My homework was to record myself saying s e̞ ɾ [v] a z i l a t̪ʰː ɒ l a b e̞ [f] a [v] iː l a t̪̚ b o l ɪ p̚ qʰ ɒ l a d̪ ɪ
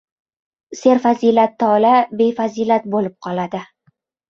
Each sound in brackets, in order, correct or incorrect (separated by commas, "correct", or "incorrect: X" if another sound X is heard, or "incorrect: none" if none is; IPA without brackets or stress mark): incorrect: f, correct, incorrect: z